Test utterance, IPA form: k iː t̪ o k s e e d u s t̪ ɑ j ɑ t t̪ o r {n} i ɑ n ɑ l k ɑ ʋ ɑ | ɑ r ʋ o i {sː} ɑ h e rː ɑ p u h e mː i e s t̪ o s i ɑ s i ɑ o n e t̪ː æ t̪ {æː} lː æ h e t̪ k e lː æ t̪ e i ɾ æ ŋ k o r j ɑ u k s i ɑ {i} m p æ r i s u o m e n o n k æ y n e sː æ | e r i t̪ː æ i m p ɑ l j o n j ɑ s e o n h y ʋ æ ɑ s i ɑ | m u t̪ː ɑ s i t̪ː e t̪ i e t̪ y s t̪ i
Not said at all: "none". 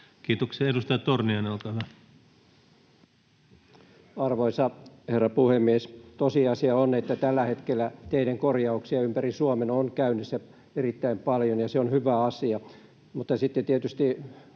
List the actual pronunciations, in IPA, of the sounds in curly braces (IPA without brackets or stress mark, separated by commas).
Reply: n, s, æ, y